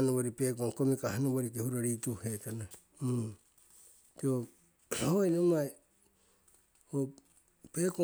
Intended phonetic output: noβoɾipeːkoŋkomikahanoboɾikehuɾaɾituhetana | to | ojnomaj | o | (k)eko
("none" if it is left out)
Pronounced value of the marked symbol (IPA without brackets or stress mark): p